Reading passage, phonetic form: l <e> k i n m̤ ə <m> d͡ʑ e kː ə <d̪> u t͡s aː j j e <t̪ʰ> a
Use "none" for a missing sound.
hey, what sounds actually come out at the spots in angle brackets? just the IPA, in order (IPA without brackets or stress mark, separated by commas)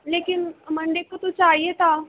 e, ɳ, t̪, t̪